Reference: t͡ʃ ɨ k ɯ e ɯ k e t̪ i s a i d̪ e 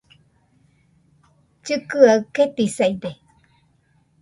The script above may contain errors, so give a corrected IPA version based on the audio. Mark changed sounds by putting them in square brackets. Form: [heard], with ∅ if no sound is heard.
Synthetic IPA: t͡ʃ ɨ k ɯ [a] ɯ k e t̪ i s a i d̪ e